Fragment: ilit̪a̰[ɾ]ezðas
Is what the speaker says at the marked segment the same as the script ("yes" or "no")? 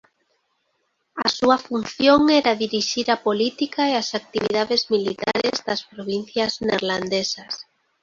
yes